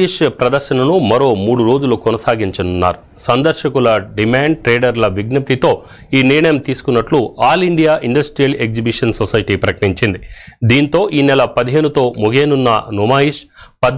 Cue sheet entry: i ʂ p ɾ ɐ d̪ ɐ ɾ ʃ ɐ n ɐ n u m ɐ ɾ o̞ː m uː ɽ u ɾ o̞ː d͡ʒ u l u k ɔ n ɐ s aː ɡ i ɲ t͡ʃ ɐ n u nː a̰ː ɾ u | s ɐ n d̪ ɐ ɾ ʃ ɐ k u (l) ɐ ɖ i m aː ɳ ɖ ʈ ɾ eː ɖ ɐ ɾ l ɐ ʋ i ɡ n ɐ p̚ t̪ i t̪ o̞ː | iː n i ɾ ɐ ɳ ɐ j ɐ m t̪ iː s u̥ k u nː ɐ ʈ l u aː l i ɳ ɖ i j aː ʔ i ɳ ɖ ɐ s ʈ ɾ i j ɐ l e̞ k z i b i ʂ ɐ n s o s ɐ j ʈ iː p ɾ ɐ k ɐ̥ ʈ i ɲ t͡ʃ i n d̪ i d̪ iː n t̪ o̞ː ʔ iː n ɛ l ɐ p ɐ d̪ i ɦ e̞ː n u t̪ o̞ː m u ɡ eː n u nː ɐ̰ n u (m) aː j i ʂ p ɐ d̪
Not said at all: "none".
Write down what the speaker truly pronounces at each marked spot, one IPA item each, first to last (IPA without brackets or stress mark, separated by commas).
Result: l, m